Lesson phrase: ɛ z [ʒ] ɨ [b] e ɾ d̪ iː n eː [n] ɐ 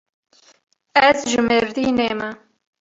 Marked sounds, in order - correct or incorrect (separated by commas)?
correct, incorrect, incorrect